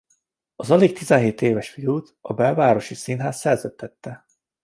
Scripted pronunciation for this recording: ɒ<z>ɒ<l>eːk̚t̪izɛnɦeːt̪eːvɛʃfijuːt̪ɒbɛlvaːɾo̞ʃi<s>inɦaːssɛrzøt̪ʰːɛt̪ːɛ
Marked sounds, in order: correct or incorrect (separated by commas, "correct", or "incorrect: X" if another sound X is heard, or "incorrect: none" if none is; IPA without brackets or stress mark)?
correct, correct, correct